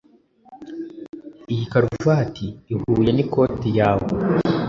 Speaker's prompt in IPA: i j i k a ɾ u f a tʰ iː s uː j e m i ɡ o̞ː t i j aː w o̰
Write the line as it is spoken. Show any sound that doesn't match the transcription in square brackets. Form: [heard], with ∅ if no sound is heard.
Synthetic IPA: i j i k a ɾ u [v] a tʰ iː [h] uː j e [n] i [k] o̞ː t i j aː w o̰